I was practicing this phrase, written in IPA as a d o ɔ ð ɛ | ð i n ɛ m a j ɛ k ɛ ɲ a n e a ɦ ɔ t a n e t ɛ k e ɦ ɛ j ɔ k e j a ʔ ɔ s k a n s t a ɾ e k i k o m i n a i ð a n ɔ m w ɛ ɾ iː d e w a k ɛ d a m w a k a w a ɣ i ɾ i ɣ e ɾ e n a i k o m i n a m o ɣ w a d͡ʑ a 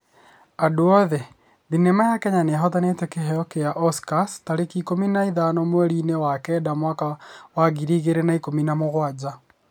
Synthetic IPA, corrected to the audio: a d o ɔ ð ɛ | ð i n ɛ m a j a k ɛ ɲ a n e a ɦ ɔ t a n e t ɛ k e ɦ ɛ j ɔ k e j a ʔ ɔ s k a s t a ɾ e k i k o m i n a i ð a n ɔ m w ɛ ɾ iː n e w a k ɛ d a m w a k a w a ɣ i ɾ i ɣ e ɾ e n a i k o m i n a m o ɣ w a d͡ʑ a

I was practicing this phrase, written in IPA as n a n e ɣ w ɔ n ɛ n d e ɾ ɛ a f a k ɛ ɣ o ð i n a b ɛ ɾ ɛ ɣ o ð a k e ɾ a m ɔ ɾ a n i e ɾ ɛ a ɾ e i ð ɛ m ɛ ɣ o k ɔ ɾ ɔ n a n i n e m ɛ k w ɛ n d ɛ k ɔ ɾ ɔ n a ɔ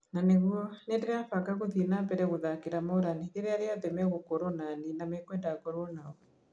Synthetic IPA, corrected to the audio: n a n e ɣ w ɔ n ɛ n d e ɾ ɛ a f a k a ɣ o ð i n a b ɛ ɾ ɛ ɣ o ð a k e ɾ a m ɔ ɾ a n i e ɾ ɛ a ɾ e a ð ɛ m ɛ ɣ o k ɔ ɾ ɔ n a n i n a m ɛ k w ɛ n d a k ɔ ɾ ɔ n a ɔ

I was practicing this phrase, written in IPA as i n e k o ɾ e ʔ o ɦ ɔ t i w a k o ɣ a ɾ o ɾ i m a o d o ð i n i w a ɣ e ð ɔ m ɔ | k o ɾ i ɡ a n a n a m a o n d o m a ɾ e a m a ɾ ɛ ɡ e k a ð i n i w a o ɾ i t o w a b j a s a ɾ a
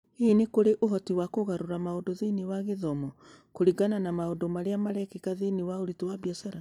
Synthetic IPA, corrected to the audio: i n e k o ɾ e ʔ o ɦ ɔ t i w a k o ɣ a ɾ o ɾ a m a o d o ð i n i w a ɣ e ð ɔ m ɔ | k o ɾ i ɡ a n a n a m a o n d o m a ɾ e a m a ɾ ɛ k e k a ð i n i w a o ɾ i t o w a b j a s a ɾ a

